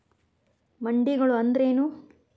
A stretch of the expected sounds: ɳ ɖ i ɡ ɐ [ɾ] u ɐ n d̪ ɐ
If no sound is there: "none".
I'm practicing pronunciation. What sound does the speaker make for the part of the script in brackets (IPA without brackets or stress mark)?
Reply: ɭ